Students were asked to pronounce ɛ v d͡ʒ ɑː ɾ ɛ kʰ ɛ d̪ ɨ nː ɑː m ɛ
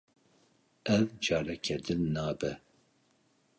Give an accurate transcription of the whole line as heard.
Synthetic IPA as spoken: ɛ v d͡ʒ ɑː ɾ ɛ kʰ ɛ d̪ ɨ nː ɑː b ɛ